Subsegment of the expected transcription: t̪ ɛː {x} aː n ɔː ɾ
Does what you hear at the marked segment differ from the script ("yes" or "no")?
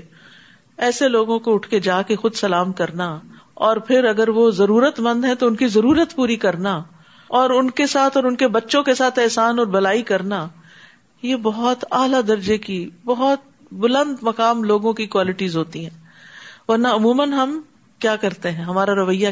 yes